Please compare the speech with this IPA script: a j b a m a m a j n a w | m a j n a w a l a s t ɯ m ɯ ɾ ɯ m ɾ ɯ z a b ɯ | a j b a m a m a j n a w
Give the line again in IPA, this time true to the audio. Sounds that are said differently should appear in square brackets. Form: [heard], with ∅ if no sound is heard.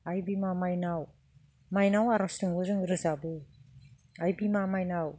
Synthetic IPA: a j b [i] m a m a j n a w | m a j n a w a [ɾ] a s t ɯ [ŋ] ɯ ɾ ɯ [ŋ] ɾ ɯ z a b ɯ | a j b [i] m a m a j n a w